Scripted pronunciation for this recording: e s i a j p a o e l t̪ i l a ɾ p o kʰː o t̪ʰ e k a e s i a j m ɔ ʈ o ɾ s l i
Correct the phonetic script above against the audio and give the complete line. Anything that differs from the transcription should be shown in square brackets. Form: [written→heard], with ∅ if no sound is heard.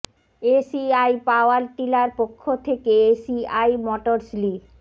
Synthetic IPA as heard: e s i a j p a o [e→a] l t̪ i l a ɾ p o kʰː o t̪ʰ e k [a→e] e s i a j m ɔ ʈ o ɾ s l i